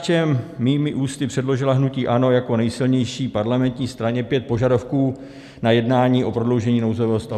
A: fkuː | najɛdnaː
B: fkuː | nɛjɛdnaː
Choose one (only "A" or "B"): A